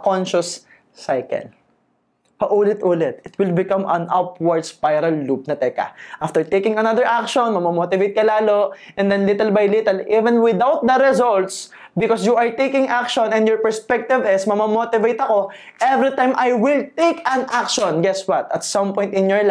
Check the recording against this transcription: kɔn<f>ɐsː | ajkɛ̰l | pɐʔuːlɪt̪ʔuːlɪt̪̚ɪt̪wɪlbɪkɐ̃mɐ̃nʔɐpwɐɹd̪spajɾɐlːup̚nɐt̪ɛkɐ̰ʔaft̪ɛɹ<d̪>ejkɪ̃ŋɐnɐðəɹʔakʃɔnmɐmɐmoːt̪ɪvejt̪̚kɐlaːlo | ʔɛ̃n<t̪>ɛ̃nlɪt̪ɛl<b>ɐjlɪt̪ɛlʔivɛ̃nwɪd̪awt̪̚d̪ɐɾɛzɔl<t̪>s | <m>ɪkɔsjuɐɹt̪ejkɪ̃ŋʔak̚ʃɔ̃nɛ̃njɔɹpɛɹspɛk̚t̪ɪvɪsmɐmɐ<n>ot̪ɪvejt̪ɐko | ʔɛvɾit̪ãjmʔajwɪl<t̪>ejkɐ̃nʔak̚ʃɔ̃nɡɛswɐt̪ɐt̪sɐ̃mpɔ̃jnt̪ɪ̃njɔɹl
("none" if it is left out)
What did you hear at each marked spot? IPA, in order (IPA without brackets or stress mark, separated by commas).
ʃ, t̪, d̪, b, t̪, b, m, t̪